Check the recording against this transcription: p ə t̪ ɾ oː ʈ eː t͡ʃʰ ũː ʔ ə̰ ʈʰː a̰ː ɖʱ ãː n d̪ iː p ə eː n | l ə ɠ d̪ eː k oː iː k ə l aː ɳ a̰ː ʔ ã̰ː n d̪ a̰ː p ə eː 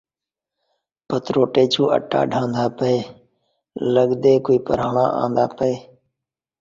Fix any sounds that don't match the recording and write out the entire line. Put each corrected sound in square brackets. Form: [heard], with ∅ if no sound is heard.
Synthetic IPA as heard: p ə t̪ ɾ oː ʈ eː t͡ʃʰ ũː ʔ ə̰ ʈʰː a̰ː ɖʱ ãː n d̪ [aː] p ə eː [∅] | l ə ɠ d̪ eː k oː iː [p] ə [ɾ] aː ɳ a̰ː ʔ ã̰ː n d̪ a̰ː p ə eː